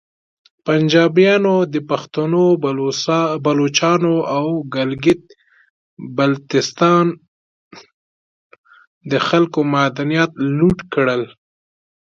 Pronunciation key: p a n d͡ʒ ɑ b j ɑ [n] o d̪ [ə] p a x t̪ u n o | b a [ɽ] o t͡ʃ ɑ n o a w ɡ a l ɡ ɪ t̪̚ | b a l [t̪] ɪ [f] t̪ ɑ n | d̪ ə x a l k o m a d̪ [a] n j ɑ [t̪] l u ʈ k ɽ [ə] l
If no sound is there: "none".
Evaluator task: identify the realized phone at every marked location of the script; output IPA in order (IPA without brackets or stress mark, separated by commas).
n, ə, l, t̪, s, a, t̪, ə